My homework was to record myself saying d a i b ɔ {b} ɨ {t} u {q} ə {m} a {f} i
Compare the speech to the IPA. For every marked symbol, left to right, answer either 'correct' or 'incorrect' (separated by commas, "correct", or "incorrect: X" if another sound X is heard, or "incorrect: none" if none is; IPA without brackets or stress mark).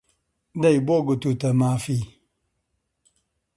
incorrect: ɡ, correct, incorrect: t, correct, correct